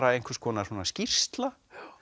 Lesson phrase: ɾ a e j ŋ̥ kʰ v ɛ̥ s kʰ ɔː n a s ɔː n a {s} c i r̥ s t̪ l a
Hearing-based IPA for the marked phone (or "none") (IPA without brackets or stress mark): s